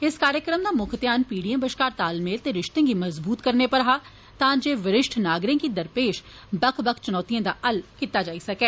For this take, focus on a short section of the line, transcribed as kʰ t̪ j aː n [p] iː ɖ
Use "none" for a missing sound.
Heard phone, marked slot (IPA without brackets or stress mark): p